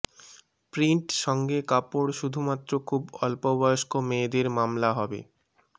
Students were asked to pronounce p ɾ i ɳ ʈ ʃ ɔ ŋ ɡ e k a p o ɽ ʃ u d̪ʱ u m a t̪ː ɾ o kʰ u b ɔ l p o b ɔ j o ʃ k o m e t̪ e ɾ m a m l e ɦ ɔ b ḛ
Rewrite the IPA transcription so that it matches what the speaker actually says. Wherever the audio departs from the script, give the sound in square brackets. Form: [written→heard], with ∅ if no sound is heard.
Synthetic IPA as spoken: p ɾ i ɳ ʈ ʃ ɔ ŋ ɡ e k a p o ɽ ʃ u d̪ʱ u m a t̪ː ɾ o kʰ u b ɔ l p o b ɔ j o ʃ k o m e [t̪→d̪] e ɾ m a m l [e→a] ɦ ɔ b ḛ